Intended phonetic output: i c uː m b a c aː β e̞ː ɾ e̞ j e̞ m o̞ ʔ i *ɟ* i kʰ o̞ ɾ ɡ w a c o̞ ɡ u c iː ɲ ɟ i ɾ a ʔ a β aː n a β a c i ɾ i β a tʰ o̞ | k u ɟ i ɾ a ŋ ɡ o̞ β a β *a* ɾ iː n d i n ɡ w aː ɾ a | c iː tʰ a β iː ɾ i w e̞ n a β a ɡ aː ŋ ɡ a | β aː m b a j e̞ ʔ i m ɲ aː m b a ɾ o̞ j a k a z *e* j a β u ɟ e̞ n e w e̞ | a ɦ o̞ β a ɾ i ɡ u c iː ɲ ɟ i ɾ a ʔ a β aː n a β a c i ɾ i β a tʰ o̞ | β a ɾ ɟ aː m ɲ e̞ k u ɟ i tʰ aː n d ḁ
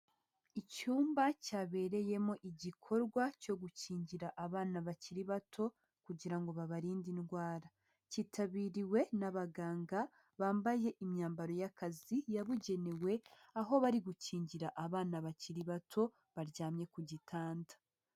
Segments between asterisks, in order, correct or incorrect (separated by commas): correct, correct, incorrect